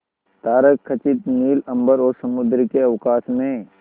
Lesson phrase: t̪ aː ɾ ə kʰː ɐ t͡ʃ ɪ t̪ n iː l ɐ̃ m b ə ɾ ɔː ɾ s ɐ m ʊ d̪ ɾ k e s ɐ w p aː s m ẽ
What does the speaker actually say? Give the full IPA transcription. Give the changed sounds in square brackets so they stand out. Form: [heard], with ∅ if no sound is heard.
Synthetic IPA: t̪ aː ɾ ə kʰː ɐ t͡ʃ ɪ t̪ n iː l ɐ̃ m b ə ɾ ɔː ɾ s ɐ m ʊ d̪ ɾ k e [∅] ɐ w [k] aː s m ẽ